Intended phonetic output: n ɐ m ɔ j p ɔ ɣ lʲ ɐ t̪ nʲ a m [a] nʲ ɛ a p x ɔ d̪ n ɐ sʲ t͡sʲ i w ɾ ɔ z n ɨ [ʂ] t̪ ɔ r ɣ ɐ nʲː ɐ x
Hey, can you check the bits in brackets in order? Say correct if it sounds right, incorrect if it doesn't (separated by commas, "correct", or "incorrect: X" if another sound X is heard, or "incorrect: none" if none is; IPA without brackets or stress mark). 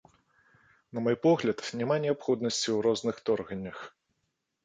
correct, incorrect: x